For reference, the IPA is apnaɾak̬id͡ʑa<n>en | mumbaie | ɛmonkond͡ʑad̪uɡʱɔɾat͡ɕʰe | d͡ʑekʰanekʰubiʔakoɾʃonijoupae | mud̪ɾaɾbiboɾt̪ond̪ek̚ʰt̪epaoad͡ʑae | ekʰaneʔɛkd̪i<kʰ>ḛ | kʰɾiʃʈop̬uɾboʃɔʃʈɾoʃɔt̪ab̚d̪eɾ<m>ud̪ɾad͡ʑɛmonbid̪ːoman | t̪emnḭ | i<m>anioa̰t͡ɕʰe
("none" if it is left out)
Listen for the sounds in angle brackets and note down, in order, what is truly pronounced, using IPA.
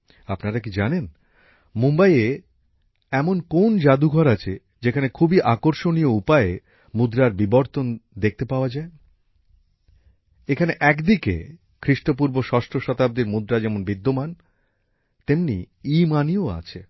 n, k, m, m

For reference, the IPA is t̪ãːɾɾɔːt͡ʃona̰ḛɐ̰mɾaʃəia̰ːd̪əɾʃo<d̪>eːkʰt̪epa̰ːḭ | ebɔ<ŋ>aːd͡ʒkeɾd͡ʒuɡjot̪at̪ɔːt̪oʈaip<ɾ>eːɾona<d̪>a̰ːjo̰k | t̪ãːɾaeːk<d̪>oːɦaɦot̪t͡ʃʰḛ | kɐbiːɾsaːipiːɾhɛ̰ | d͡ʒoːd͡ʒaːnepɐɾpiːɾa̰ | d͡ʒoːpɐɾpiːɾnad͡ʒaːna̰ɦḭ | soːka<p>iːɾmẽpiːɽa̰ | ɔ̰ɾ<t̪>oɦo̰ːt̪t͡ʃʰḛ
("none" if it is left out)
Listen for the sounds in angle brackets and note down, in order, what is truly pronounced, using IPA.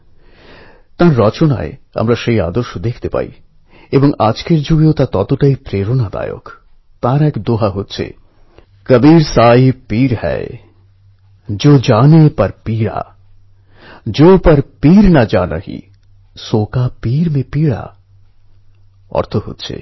d̪, ŋ, ɾ, d̪, d̪, p, t̪ʰ

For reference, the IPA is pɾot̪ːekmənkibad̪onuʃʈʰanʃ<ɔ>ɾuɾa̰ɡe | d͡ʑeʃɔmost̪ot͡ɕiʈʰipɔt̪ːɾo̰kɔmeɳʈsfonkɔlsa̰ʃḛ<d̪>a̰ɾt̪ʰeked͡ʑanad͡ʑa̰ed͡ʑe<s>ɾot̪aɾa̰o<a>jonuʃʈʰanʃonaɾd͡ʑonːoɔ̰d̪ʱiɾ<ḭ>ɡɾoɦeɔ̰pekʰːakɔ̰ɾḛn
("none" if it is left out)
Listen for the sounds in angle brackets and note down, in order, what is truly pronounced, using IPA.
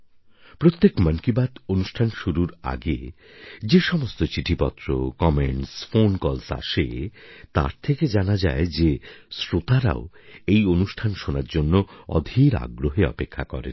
u, t̪, s, e, a̰

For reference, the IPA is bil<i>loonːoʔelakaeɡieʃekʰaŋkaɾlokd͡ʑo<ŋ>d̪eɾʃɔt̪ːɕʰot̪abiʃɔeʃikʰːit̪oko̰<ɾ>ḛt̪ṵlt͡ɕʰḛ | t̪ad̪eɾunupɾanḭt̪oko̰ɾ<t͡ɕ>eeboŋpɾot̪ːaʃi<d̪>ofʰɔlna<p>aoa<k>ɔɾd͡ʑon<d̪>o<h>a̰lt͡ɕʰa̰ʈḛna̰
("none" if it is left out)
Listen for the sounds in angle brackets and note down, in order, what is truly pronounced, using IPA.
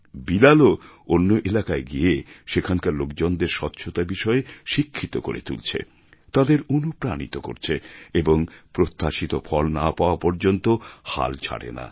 a, n, ɾ, t͡ɕʰ, t̪, p, p, t̪, h

